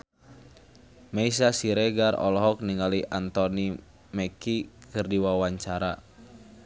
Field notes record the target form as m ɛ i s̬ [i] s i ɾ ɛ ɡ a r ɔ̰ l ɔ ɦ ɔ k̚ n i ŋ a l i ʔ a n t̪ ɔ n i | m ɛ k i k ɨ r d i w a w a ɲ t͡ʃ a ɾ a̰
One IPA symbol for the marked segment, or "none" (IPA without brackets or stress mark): a